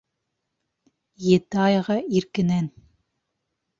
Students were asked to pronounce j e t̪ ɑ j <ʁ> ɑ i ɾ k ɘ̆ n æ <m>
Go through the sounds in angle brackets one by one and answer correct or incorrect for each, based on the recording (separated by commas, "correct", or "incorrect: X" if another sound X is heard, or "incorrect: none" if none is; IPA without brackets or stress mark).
correct, incorrect: n